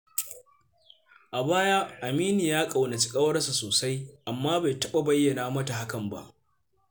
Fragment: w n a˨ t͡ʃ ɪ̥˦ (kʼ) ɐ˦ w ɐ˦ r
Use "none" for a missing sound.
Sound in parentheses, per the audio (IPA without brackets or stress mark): kʼ